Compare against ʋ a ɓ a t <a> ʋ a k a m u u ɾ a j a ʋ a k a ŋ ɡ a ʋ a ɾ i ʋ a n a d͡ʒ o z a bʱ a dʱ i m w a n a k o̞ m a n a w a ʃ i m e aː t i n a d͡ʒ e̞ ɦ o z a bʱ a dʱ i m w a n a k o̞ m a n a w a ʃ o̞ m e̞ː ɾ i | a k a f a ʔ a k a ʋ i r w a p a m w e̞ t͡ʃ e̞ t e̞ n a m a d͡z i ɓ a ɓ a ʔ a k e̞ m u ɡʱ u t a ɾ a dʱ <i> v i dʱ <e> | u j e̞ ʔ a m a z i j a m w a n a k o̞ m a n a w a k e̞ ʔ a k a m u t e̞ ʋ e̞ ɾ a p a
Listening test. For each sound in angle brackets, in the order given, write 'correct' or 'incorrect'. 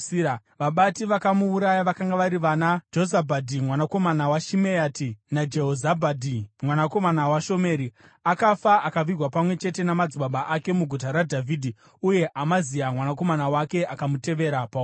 incorrect, incorrect, incorrect

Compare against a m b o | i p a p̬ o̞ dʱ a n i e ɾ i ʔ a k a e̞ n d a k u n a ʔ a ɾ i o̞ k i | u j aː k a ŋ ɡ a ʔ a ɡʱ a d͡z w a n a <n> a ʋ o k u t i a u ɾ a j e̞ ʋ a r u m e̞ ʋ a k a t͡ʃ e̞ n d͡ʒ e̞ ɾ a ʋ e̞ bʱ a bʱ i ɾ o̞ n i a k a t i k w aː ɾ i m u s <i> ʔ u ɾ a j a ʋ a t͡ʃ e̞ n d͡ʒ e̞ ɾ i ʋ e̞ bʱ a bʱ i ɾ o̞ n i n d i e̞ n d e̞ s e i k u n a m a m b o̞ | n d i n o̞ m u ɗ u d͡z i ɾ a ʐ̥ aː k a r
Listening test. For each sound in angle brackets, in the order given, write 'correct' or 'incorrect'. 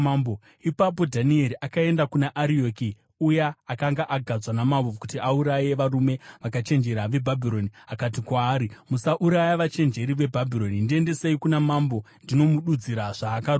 incorrect, incorrect

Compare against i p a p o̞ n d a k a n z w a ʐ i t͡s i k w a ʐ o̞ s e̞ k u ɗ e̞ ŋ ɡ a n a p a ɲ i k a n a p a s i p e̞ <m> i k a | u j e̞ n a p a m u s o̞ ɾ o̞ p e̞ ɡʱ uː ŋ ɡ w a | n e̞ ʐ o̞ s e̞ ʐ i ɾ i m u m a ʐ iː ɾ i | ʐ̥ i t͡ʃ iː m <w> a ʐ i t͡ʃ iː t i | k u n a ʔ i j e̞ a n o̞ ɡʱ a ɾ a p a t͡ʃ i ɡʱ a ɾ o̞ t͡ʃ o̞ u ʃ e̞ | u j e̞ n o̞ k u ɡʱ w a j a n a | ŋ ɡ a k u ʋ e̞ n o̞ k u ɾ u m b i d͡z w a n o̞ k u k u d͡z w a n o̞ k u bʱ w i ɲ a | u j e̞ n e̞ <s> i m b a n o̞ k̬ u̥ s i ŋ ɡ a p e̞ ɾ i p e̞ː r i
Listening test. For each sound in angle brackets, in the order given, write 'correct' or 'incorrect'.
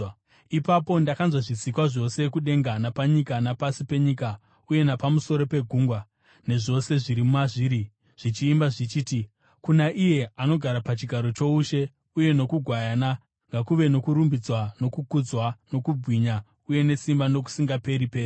incorrect, incorrect, correct

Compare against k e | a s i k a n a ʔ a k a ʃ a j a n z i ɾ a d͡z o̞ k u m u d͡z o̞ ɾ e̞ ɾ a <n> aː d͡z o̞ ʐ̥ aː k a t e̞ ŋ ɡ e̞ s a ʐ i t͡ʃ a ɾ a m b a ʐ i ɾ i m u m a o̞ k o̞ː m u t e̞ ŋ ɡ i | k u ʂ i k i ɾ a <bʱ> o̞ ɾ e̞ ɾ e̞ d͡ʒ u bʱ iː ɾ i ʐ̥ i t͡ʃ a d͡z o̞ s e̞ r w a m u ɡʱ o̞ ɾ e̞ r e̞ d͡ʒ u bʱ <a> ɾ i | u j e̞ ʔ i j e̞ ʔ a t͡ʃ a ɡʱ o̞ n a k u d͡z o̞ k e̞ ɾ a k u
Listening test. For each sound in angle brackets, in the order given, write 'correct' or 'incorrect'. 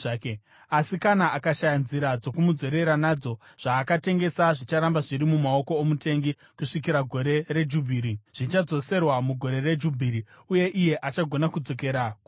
correct, incorrect, incorrect

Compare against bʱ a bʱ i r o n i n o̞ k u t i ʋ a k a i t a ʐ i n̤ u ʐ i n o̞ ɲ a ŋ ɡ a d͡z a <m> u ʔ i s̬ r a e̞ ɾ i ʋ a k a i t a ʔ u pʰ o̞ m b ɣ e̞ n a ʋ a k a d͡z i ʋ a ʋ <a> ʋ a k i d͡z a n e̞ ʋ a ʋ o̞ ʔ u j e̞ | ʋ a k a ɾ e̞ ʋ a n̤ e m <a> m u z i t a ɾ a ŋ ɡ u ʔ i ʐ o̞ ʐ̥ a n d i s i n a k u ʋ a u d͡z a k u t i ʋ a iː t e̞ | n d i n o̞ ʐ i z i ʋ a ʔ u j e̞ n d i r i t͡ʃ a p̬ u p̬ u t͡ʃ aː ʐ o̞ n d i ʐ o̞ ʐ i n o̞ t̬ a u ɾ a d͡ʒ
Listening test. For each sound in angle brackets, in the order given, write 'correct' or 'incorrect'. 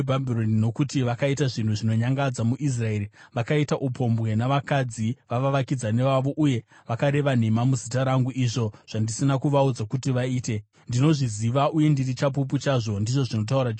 correct, correct, correct

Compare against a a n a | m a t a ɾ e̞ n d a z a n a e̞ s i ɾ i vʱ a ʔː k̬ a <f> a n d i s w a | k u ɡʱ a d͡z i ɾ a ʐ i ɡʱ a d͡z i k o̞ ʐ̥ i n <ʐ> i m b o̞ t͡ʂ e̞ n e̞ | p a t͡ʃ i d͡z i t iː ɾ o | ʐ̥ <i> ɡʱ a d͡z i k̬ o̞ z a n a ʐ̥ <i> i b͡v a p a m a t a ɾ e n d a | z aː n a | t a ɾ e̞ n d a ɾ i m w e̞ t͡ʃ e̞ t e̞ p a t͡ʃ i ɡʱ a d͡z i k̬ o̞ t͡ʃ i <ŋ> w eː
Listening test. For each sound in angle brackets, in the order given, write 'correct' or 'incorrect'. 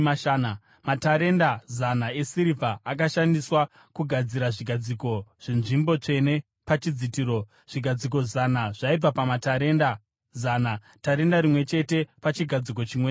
incorrect, correct, correct, incorrect, incorrect

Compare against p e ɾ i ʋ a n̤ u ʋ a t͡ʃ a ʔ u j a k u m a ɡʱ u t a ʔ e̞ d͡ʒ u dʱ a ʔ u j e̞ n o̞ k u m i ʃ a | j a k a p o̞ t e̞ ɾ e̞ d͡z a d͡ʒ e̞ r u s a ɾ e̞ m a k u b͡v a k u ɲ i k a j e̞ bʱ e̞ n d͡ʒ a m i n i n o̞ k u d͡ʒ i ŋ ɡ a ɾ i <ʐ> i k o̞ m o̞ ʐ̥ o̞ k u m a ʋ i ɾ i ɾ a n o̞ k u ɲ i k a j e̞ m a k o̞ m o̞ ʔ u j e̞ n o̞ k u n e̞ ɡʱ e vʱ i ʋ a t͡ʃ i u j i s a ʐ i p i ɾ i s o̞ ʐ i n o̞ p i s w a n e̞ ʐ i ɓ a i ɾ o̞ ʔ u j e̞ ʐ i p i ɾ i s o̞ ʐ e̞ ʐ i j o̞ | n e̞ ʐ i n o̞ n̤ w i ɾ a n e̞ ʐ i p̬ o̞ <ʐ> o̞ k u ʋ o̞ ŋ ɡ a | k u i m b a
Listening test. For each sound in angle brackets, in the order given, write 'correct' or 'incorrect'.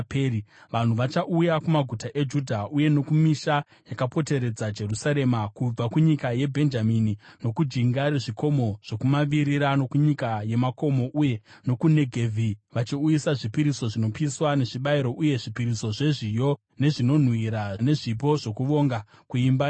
correct, correct

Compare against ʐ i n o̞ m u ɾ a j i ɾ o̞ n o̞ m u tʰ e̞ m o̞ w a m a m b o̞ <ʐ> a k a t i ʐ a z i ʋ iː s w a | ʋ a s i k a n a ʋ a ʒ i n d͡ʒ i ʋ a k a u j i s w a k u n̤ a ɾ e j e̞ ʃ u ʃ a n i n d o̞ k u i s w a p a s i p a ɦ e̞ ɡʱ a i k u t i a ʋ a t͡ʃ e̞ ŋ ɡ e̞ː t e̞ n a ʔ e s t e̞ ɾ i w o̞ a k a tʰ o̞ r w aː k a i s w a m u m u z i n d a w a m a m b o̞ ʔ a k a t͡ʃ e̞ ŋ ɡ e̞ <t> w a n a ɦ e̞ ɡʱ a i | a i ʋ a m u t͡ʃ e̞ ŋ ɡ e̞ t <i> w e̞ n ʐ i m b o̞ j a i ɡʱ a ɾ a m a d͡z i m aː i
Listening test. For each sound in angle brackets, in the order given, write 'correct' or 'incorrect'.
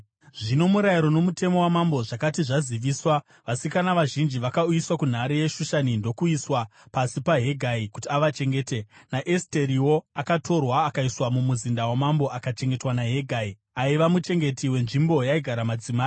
correct, correct, correct

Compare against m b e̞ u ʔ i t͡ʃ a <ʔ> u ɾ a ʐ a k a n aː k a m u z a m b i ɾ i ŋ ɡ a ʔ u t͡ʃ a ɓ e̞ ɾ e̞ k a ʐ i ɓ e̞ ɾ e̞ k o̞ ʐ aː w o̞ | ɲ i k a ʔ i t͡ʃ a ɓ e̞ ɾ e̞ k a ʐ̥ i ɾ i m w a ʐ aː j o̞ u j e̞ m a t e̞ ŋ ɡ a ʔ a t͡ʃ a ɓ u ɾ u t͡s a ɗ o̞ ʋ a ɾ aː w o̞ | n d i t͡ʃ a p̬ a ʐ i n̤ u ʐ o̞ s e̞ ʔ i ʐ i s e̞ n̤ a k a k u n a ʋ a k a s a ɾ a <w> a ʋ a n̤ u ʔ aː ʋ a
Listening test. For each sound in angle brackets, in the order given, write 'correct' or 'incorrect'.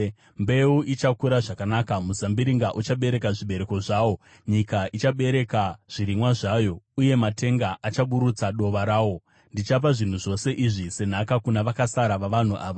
incorrect, incorrect

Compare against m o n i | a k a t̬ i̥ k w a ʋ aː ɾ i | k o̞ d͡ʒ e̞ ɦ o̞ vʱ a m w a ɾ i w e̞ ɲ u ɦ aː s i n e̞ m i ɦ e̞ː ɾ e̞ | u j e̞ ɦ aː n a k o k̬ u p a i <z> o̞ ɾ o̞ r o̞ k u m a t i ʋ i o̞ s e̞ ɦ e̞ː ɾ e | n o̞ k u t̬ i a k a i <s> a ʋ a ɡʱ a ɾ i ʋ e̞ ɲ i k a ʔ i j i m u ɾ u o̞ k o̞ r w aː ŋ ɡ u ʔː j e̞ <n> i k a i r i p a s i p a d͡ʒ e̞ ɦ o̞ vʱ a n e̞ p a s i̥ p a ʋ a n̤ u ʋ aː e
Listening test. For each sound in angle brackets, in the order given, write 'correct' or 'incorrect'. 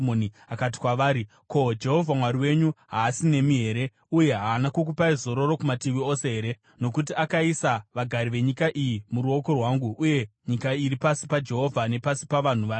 correct, correct, incorrect

